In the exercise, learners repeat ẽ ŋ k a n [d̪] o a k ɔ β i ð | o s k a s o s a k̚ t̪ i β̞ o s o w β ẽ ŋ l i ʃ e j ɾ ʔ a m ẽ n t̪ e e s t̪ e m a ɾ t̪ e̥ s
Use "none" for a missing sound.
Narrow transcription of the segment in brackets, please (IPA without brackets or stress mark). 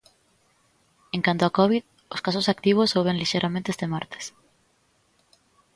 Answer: t̪